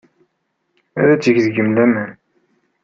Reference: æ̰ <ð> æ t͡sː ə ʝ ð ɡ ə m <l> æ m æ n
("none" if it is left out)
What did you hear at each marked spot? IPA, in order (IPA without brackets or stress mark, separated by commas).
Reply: ð, l